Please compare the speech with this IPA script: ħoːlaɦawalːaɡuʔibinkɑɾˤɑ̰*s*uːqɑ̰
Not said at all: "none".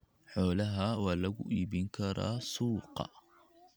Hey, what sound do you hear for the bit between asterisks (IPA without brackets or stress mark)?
s